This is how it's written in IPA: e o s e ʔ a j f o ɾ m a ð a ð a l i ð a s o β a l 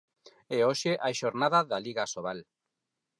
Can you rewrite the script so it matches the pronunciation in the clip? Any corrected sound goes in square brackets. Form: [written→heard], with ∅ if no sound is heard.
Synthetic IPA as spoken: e o [s→ʃ] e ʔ a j [f→ʃ] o ɾ [m→n] a ð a ð a l i [ð→ɣ] a s o β a l